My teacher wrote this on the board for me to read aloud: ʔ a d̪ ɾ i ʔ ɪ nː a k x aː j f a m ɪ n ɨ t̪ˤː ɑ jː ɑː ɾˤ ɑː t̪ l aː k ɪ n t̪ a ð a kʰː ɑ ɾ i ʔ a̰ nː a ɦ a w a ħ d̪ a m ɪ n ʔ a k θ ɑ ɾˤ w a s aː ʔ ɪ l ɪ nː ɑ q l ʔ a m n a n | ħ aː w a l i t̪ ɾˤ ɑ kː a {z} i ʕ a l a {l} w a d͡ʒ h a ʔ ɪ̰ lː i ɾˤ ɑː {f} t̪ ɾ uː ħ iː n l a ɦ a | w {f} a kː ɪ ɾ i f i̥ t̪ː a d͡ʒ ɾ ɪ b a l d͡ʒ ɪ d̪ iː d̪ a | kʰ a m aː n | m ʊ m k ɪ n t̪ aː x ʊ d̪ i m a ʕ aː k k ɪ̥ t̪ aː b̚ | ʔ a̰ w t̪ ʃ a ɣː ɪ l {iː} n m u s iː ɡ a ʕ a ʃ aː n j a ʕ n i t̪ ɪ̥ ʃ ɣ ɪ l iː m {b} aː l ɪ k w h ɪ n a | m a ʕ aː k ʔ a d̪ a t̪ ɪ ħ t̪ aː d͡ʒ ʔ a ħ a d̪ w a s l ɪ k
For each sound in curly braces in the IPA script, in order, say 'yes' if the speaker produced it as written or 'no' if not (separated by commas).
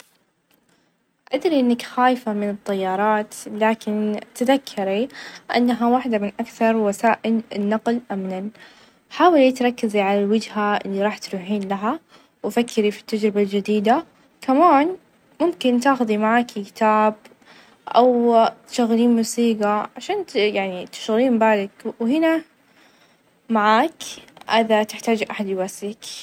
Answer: yes, yes, no, yes, yes, yes